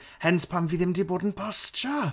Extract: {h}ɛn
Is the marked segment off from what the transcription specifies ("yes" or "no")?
no